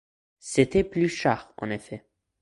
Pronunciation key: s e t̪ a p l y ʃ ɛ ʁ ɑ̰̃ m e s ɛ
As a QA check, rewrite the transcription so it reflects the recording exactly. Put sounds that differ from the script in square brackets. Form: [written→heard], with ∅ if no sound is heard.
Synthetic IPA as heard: s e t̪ [a→ɛ] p l y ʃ [ɛ→a] ʁ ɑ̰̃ [m→n] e [s→f] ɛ

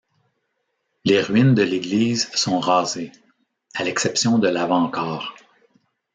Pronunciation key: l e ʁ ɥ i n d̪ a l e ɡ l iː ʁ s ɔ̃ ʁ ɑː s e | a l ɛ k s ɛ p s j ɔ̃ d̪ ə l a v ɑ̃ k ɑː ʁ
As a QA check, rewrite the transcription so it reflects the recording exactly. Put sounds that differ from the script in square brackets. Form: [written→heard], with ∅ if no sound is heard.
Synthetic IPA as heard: l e ʁ ɥ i n d̪ [a→ə] l e ɡ l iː [ʁ→z] s ɔ̃ ʁ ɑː [s→z] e | a l ɛ k s ɛ p s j ɔ̃ d̪ ə l a v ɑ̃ k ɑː ʁ

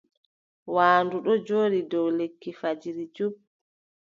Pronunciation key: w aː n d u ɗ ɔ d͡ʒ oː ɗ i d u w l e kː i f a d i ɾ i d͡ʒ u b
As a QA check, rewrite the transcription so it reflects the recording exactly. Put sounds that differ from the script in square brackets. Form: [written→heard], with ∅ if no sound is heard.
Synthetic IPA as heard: w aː n d u ɗ ɔ d͡ʒ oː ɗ i d [u→ɔ] w l e kː i f a [d→d͡ʒ] i ɾ i d͡ʒ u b

